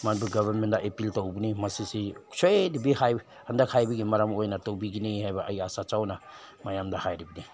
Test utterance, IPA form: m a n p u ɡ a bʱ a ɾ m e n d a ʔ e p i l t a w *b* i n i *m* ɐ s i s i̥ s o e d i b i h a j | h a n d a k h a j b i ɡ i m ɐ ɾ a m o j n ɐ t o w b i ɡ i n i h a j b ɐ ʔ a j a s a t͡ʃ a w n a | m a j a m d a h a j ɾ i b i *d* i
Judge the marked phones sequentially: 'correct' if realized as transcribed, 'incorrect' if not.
correct, correct, incorrect: n

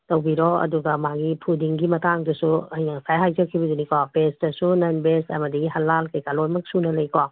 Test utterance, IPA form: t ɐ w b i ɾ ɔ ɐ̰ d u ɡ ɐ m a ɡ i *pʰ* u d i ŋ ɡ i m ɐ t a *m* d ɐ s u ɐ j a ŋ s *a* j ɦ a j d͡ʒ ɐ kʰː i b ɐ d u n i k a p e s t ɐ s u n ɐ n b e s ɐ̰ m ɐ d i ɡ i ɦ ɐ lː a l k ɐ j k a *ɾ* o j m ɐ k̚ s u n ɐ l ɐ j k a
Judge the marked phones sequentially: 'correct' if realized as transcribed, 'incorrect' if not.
correct, incorrect: ŋ, correct, incorrect: l

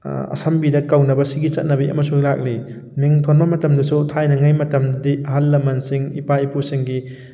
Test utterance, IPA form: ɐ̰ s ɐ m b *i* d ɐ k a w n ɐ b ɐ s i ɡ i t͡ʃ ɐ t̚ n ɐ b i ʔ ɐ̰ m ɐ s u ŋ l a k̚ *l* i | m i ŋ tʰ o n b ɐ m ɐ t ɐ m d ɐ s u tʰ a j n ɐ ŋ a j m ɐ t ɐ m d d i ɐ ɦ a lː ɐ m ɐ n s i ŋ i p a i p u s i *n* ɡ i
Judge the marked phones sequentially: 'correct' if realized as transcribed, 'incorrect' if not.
correct, correct, incorrect: ŋ

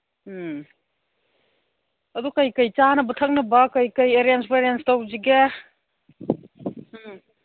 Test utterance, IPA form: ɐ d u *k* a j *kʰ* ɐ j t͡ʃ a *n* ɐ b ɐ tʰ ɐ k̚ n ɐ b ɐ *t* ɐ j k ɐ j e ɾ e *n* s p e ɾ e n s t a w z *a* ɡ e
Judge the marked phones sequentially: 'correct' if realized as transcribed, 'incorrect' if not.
correct, incorrect: k, correct, incorrect: k, correct, incorrect: i

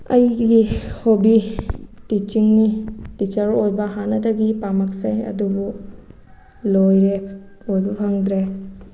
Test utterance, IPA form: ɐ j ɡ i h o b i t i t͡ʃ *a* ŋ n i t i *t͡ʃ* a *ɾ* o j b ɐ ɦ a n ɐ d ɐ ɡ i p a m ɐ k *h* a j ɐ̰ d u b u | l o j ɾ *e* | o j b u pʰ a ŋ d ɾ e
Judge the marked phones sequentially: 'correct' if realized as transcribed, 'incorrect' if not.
incorrect: i, correct, correct, incorrect: s, correct

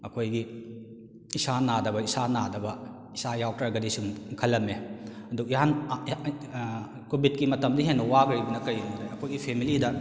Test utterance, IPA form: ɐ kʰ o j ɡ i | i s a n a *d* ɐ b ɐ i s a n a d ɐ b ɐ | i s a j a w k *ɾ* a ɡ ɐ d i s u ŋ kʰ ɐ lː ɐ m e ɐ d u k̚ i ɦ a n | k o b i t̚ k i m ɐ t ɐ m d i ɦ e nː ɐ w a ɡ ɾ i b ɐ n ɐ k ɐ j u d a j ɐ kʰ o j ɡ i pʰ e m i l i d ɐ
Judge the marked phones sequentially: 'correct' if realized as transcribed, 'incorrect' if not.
correct, correct

